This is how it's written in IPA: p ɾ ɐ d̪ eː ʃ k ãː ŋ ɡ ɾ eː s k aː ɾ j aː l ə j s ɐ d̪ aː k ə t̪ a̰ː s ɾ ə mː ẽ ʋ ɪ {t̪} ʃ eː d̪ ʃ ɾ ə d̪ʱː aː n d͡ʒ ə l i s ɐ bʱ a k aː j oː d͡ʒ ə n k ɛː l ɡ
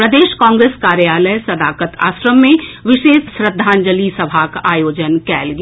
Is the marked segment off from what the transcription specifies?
yes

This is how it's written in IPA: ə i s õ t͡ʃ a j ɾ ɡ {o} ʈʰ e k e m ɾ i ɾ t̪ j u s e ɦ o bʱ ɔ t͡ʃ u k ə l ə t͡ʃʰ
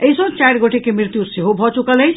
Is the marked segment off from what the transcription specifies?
no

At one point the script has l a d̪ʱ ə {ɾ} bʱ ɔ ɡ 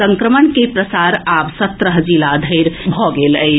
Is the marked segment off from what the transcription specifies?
no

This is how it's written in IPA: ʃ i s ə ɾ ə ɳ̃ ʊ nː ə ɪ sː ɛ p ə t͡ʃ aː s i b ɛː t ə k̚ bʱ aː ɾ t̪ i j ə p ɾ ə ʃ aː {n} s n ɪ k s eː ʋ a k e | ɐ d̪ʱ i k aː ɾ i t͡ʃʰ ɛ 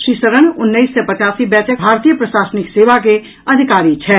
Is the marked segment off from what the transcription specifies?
yes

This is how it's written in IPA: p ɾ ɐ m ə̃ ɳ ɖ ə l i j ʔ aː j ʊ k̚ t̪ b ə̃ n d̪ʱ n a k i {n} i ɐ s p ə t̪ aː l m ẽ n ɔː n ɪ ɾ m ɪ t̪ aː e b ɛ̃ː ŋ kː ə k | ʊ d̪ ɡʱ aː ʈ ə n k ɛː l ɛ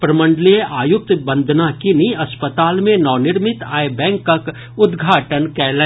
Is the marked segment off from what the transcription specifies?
no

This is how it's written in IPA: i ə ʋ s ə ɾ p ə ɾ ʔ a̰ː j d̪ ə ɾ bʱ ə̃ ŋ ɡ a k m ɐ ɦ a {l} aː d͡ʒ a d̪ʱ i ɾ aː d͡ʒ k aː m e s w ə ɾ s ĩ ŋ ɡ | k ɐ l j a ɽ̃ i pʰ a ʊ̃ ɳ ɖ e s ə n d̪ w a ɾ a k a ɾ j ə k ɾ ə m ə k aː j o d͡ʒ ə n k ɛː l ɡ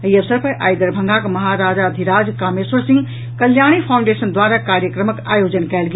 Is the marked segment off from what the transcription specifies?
yes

